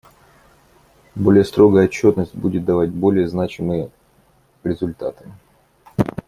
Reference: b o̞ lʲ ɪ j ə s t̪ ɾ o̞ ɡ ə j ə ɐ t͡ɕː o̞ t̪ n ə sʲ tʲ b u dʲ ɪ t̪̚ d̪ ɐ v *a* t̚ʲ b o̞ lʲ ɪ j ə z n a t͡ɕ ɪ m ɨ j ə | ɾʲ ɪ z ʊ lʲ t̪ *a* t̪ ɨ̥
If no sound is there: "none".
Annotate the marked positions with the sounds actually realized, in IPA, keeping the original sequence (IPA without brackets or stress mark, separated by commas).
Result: a, a